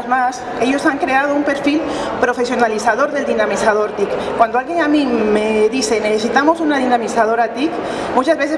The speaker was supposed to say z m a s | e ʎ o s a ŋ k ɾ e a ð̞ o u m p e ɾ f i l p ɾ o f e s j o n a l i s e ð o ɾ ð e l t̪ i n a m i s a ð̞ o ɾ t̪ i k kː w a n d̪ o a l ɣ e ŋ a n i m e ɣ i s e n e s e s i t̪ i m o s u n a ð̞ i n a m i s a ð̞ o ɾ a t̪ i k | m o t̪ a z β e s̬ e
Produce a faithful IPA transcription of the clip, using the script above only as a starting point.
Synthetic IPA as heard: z m a s | e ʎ o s a ŋ k ɾ e a ð̞ o u m p e ɾ f i l p ɾ o f e s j o n a l i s a ð o ɾ ð e l d̪ i n a m i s a ð̞ o ɾ t̪ i k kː w a n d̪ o a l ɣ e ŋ a m i m e ð i s e n e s e s i t̪ a m o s u n a ð̞ i n a m i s a ð̞ o ɾ a t̪ i k | m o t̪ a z β e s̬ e